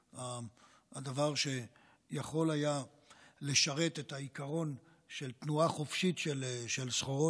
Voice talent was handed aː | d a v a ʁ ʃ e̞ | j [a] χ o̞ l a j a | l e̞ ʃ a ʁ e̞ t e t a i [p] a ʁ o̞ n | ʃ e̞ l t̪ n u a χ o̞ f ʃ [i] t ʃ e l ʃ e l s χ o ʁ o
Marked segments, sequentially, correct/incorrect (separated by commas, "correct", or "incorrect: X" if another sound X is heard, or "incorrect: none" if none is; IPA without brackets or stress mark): correct, incorrect: k, correct